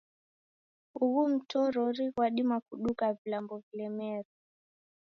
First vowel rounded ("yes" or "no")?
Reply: yes